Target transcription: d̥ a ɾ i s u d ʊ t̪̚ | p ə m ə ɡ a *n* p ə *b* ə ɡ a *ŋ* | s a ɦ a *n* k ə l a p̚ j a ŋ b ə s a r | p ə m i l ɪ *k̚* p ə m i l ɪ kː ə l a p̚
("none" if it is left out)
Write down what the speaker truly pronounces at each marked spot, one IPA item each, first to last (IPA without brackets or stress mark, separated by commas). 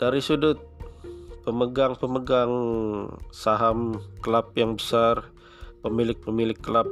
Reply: ŋ, m, ŋ, m, k̚